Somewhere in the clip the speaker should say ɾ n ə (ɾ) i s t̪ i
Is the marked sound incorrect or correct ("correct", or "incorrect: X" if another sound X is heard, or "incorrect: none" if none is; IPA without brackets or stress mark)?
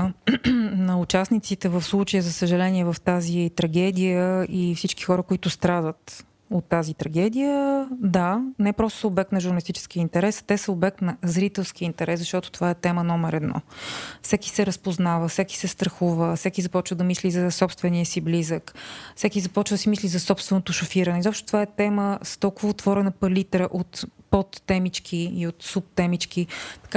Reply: incorrect: l